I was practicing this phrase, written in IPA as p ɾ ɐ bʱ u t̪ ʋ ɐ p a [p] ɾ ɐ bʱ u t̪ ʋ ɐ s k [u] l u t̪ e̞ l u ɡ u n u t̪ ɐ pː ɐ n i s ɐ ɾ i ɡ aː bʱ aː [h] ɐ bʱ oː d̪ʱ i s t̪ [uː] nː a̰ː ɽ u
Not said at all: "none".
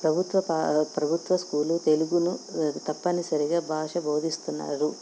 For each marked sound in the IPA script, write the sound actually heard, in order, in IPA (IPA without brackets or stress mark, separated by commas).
p, uː, ʂ, u